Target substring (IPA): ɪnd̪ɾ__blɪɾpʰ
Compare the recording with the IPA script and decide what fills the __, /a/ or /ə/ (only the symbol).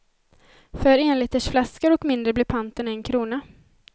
ə